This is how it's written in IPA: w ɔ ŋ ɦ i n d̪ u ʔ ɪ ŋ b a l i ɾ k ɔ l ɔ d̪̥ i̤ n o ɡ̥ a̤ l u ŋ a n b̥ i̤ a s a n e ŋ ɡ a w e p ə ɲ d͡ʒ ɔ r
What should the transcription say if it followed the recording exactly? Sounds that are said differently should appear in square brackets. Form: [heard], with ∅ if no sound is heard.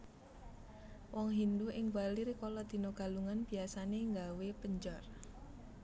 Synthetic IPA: w ɔ ŋ ɦ i n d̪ u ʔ ɪ ŋ b a l i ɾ k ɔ l ɔ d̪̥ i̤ n o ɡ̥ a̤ l u ŋ a n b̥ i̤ a s a n e ŋ ɡ a w e p ə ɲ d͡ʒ ɔ r